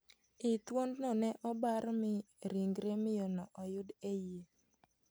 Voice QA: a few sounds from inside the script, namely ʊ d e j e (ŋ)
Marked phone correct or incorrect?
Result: incorrect